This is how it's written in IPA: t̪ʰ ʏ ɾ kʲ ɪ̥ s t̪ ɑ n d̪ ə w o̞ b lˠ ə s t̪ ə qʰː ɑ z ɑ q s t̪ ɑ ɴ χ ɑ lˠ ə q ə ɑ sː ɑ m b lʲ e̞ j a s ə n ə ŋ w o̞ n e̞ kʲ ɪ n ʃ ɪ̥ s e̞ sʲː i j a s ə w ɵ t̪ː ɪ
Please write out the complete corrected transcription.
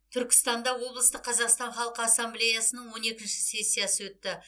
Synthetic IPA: t̪ʰ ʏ ɾ kʲ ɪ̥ s t̪ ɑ n d̪ ɑ w o̞ b lˠ ə s t̪ ə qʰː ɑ z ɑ q s t̪ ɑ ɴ χ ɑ lˠ ə q ə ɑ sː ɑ m b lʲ e̞ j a s ə n ə ɴ w o̞ n e̞ kʲ ɪ n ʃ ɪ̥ s e̞ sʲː i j a s ə w ɵ t̪ː ɪ